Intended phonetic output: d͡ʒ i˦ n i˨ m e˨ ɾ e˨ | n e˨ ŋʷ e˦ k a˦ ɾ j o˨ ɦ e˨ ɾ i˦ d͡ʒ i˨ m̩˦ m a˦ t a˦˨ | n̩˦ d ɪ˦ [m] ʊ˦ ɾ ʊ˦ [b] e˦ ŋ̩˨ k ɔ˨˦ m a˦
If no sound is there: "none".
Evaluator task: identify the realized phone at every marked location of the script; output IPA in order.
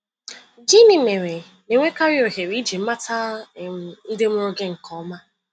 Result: m, ɡ

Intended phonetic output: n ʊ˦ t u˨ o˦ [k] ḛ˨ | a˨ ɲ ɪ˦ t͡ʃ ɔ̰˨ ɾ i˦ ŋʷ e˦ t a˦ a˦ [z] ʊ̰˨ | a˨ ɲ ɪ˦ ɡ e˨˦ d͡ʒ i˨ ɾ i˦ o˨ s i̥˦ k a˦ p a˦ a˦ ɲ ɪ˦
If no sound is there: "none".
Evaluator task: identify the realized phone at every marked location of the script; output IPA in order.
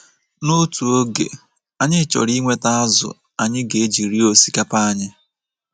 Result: ɡ, z

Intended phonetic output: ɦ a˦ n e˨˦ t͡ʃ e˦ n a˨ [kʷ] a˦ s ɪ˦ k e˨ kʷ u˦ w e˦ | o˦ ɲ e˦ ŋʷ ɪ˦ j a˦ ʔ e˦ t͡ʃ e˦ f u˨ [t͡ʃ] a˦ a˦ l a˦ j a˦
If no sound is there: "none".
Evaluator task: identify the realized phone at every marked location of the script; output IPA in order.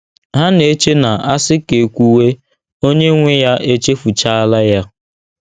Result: none, t͡ʃ

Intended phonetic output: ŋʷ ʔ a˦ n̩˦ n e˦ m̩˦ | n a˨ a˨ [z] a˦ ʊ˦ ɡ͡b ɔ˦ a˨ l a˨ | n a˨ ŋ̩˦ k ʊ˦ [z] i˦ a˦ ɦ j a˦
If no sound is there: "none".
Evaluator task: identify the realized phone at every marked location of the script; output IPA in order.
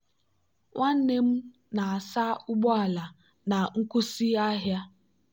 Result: s, s

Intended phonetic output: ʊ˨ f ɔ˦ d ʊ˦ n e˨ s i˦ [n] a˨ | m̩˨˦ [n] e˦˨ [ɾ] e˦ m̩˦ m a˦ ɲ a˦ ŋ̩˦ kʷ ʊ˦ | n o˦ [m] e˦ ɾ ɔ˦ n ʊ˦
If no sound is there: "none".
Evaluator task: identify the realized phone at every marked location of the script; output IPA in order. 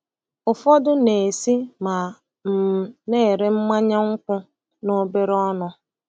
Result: m, n, ɾ, b

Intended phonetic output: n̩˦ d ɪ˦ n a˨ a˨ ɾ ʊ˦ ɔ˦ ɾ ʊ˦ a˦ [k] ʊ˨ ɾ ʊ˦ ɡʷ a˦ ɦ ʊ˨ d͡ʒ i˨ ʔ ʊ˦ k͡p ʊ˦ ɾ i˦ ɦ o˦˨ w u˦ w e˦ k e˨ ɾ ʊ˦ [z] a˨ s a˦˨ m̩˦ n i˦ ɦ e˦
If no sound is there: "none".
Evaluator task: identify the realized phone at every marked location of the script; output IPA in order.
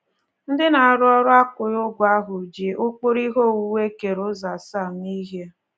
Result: k, z

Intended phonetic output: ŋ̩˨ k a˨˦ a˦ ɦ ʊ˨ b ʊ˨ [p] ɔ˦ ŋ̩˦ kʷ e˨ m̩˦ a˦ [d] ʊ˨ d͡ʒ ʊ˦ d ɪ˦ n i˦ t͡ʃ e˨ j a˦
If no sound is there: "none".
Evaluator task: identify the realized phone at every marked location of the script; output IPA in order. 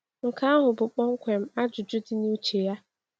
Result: k͡p, d͡ʒ

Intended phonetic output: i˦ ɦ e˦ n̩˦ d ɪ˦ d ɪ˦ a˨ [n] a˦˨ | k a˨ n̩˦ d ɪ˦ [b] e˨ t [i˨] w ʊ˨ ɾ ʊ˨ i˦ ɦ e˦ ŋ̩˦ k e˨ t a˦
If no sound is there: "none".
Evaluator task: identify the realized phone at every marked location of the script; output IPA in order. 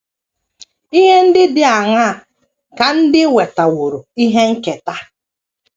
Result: ŋ, w, a˨

